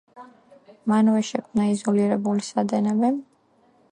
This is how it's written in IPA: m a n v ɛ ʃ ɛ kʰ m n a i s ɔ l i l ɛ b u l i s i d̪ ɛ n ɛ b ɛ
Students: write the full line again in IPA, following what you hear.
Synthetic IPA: m a n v ɛ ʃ ɛ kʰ m n a i z ɔ l i ɾ ɛ b u l i s a d̪ ɛ n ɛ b ɛ